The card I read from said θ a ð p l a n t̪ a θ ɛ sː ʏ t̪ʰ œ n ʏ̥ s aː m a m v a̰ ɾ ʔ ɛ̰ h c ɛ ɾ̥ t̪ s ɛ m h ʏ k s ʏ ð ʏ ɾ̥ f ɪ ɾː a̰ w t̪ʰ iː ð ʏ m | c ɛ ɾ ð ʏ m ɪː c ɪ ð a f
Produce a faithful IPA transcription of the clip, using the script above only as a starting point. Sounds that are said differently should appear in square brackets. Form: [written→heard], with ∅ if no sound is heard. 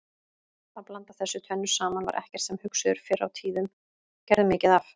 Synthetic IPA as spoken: θ a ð p l a n t̪ a θ ɛ sː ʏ t̪ʰ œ [n→nː] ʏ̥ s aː m a [m→n] v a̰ ɾ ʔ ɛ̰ h c ɛ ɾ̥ t̪ s ɛ m h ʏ k s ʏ ð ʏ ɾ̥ f ɪ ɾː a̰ w t̪ʰ iː ð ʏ m | c ɛ ɾ ð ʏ m ɪː c ɪ ð a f